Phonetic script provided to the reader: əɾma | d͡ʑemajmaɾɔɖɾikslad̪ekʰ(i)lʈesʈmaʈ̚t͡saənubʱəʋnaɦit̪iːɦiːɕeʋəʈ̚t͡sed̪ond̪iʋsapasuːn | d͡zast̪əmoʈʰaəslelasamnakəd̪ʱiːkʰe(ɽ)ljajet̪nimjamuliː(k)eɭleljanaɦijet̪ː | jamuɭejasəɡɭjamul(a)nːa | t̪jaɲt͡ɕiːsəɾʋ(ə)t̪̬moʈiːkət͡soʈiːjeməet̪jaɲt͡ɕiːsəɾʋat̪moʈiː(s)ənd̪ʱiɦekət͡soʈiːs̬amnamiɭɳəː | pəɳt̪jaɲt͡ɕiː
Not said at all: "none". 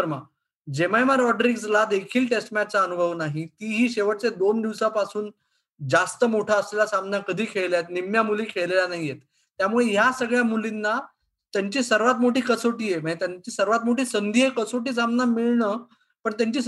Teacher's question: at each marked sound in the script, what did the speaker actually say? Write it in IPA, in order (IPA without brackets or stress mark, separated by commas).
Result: iː, ɭ, kʰ, i, a, s